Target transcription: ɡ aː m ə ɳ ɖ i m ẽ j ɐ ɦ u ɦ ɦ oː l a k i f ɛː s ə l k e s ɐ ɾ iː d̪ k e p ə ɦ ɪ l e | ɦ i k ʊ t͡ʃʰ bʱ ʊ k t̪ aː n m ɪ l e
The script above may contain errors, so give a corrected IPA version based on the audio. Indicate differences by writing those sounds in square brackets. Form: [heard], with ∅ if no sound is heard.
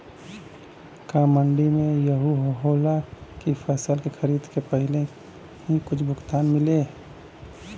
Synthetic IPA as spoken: [k] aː m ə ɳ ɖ i m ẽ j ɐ ɦ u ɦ ɦ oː l a k i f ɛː s ə l k e [x] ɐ ɾ iː d̪ k e p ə ɦ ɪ l e | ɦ i k ʊ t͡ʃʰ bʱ ʊ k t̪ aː n m ɪ l e